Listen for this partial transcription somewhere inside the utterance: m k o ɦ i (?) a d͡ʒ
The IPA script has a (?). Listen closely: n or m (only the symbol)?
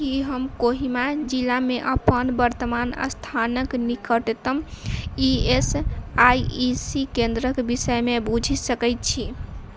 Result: m